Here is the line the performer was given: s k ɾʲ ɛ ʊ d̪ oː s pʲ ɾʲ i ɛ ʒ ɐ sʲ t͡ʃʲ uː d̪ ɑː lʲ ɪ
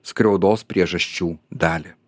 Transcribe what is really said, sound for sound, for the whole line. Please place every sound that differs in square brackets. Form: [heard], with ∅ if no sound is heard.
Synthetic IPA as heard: s k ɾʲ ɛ ʊ d̪ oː s pʲ ɾʲ i ɛ ʒ ɐ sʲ t͡ʃʲ uː d̪ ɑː lʲ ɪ